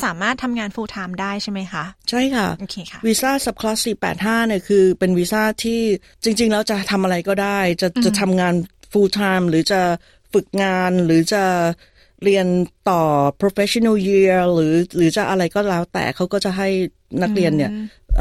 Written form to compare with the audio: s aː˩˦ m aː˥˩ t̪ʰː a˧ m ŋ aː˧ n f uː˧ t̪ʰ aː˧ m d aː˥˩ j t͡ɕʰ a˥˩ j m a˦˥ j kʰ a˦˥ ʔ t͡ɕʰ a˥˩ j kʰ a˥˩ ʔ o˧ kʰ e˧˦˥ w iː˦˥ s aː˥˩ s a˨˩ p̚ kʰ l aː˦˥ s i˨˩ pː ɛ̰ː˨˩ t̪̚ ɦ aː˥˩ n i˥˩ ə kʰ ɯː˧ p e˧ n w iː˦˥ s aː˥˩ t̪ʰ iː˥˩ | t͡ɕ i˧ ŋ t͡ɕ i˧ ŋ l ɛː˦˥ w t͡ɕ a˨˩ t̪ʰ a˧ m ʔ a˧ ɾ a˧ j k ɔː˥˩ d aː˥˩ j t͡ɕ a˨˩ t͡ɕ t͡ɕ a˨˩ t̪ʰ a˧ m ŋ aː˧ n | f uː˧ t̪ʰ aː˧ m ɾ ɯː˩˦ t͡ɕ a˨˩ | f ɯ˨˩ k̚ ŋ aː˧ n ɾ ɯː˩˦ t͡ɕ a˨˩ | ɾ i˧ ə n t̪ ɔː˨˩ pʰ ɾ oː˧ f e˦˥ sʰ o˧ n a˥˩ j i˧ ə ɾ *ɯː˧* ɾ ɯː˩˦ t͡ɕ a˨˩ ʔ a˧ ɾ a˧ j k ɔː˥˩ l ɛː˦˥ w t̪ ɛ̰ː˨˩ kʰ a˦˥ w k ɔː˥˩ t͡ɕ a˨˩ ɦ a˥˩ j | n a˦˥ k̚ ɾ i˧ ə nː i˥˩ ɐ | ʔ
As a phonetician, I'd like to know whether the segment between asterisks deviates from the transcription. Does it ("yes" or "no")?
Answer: yes